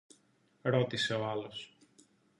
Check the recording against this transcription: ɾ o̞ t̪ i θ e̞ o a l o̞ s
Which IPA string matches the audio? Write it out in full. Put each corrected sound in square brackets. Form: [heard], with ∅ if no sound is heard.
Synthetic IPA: ɾ o̞ t̪ i [s] e̞ o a l o̞ s